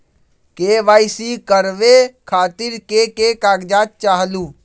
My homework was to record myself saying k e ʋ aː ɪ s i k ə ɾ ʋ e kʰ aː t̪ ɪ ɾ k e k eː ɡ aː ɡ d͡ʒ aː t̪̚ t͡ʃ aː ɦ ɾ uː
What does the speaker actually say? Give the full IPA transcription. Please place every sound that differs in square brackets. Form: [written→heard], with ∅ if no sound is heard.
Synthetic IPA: k e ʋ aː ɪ s i k ə ɾ ʋ e kʰ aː t̪ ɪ ɾ k e k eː [ɡ→k] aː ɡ d͡ʒ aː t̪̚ t͡ʃ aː ɦ [ɾ→l] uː